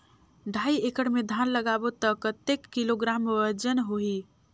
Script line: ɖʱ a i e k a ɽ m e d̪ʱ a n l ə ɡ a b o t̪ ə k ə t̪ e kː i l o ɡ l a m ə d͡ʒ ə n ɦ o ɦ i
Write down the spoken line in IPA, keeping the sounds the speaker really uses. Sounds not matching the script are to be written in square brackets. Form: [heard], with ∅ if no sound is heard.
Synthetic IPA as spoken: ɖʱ a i e k [ə] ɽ m e d̪ʱ a n l ə ɡ a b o t̪ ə k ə t̪ e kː i l o ɡ [ɾ] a m ə d͡ʒ ə n ɦ o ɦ i